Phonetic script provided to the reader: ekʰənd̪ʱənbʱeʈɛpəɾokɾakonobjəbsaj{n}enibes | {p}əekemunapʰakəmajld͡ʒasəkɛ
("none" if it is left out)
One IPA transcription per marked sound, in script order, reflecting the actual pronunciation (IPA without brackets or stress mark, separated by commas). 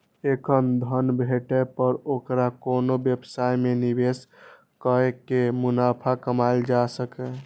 m, k